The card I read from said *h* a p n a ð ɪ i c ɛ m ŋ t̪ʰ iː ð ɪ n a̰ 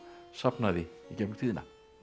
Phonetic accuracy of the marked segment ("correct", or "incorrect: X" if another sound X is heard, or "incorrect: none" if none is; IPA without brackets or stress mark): incorrect: s